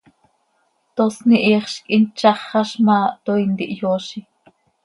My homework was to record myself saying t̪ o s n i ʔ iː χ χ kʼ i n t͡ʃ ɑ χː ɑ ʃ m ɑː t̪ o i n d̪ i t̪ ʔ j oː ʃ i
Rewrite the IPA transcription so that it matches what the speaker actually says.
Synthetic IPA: t̪ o s n i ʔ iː χ ʃ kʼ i n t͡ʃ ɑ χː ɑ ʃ m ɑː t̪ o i n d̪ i ʔ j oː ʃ i